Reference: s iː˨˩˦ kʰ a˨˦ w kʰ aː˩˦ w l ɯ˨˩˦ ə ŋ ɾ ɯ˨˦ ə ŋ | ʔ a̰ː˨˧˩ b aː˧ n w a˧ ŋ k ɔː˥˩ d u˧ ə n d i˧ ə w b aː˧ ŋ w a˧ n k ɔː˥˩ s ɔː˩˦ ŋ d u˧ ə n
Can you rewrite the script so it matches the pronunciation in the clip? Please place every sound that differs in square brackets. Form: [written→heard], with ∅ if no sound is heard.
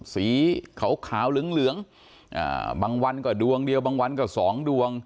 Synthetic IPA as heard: s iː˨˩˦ kʰ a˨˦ w kʰ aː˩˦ w l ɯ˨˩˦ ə ŋ [ɾ→l] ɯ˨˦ ə ŋ | ʔ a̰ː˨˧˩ b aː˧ [n→ŋ] w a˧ [ŋ→n] k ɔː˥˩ d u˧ ə [n→ŋ] d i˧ ə w b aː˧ ŋ w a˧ n k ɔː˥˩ s ɔː˩˦ ŋ d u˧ ə [n→ŋ]